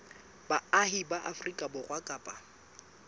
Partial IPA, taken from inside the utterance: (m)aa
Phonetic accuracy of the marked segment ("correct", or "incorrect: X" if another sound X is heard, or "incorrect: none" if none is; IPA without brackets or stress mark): incorrect: b